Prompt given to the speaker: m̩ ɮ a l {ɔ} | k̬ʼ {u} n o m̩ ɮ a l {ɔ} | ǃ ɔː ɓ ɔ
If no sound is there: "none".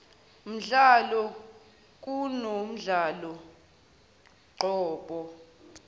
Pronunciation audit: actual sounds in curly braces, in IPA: ɔ, u, ɔ

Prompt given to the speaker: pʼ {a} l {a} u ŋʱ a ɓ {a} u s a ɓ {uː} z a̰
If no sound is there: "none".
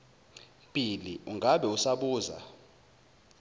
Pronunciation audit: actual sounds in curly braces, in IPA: i, i, ɛ, uː

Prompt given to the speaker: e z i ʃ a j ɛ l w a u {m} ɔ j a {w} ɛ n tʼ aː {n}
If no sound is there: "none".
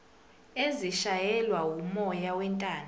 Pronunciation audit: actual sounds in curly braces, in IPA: m, w, n

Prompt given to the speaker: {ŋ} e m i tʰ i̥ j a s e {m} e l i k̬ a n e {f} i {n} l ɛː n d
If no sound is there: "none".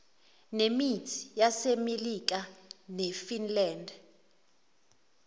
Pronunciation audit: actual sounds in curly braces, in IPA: n, m, f, n

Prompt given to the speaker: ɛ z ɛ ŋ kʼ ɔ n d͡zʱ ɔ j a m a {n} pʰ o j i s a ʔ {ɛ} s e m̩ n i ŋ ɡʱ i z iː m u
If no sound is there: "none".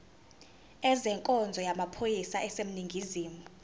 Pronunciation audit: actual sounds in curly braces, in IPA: none, ɛ

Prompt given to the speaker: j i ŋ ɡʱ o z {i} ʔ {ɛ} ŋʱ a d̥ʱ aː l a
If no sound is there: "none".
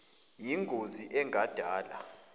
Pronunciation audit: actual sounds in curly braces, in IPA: i, ɛ

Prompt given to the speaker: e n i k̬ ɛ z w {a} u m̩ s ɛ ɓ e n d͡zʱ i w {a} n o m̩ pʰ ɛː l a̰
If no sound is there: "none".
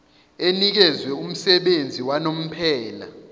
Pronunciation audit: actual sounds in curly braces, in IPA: ɛ, a

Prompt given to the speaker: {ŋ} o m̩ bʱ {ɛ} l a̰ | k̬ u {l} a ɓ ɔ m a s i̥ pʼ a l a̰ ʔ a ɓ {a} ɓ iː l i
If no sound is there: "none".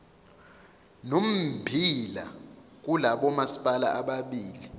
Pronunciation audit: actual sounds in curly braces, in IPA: n, i, l, a

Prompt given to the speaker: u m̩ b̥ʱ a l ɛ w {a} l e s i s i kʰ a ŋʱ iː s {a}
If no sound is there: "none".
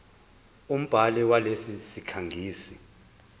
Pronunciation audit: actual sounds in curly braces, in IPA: a, i

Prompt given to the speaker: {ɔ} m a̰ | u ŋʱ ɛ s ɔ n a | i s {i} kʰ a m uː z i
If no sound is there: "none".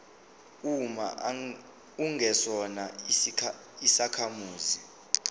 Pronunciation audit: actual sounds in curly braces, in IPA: u, a

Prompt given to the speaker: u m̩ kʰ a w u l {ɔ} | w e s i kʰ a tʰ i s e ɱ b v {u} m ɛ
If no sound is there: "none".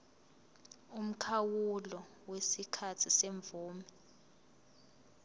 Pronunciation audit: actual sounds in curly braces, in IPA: ɔ, uː

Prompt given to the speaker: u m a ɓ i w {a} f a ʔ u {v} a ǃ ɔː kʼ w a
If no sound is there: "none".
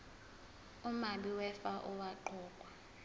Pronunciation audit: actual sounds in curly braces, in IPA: ɛ, w

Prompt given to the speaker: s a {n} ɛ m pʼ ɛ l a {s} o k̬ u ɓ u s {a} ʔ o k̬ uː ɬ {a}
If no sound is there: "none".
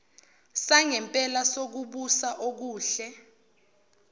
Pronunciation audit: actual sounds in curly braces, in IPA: ŋ, s, a, ɛ

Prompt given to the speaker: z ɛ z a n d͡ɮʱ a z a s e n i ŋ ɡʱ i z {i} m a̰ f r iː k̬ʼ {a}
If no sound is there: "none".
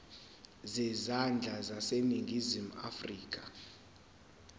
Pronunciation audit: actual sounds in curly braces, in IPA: i, a

